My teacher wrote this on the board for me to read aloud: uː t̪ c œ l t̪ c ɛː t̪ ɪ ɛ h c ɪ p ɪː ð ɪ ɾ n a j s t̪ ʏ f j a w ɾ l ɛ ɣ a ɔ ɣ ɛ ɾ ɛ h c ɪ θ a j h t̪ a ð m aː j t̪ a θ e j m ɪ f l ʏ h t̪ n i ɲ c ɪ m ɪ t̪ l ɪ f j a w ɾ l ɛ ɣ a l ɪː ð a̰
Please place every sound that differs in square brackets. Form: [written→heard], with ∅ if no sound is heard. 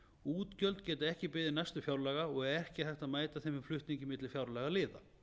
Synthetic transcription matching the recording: uː t̪ c œ l t̪ c ɛː t̪ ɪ ɛ h c ɪ p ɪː ð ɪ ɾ n a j s t̪ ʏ f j a w ɾ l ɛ ɣ a ɔ ɣ ɛ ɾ ɛ h c ɪ θ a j h t̪ a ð m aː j t̪ a θ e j m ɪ f l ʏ h t̪ n i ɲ c ɪ m ɪ t̪ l ɪ f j a w ɾ l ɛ ɣ a l ɪː ð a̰